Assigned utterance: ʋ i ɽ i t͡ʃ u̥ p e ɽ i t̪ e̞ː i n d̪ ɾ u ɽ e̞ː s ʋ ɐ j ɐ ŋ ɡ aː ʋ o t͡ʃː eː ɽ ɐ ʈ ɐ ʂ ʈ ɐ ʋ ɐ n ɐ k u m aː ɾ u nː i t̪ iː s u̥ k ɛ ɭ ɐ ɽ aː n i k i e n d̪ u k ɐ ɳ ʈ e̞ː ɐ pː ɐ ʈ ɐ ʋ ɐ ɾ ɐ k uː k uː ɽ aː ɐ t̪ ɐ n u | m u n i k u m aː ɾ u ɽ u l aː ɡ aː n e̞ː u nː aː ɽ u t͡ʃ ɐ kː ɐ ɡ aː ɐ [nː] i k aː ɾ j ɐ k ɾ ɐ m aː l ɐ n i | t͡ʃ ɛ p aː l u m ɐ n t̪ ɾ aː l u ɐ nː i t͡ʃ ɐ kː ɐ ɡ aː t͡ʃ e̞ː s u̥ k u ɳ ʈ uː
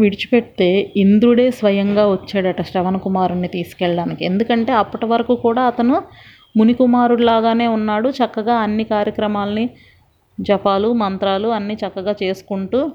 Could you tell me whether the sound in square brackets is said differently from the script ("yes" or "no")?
no